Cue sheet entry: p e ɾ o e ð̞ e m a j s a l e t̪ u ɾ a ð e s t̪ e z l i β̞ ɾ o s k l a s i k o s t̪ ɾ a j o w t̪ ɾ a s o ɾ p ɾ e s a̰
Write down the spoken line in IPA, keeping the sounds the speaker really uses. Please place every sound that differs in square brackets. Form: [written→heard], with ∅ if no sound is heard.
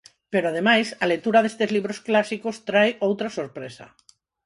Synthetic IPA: p e ɾ o [e→a] ð̞ e m a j s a l e t̪ u ɾ a ð e s t̪ e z l i β̞ ɾ o s k l a s i k o s t̪ ɾ a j o w t̪ ɾ a s o ɾ p ɾ e s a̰